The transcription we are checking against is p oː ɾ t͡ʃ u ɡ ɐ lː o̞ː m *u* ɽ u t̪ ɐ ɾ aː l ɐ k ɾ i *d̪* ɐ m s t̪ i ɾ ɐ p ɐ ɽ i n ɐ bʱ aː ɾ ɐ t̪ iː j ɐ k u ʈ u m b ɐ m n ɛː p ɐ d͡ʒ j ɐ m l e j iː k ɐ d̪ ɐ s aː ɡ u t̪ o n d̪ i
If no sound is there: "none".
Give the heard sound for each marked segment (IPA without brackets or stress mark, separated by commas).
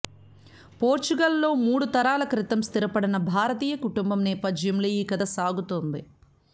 uː, t̪